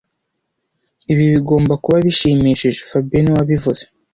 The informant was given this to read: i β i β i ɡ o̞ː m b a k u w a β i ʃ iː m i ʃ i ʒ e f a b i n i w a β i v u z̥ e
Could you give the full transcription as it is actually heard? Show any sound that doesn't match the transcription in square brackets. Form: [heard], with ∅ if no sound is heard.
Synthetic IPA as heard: i β i β i ɡ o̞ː m b a k u [β] a β i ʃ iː m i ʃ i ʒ e f a b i n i w a β i v u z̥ e